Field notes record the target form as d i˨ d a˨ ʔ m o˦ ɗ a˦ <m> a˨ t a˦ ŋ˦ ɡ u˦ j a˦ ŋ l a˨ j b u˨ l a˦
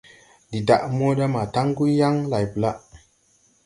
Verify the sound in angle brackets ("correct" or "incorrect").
correct